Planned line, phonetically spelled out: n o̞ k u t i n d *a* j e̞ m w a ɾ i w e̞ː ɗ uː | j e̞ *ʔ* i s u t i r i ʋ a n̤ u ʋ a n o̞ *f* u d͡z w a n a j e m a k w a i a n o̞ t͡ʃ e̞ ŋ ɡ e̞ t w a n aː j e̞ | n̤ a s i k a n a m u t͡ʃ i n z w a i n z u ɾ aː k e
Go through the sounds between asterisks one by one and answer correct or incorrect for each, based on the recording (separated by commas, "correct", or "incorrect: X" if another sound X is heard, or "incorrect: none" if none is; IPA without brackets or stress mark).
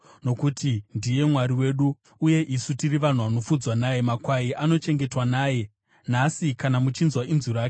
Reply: incorrect: i, correct, correct